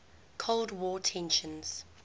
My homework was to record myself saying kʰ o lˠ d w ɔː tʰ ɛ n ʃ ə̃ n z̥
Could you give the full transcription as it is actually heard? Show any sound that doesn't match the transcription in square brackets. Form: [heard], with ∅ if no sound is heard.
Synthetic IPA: kʰ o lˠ d w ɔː tʰ [ɛ̃] n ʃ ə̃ n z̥